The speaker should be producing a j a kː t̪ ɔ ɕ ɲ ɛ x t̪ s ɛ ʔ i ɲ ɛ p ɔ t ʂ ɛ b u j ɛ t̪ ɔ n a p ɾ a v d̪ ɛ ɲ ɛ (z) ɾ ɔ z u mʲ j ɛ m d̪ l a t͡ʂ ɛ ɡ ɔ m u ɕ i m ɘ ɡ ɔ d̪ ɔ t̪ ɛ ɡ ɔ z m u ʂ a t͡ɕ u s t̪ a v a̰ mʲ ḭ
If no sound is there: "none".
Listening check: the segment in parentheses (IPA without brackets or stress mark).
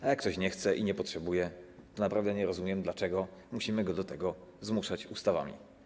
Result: none